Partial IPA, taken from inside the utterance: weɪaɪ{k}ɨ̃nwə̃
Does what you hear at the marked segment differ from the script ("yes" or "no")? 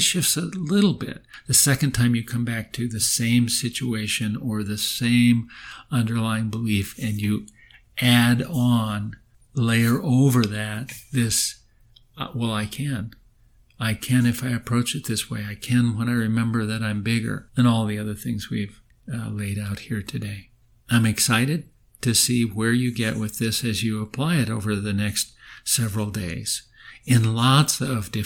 yes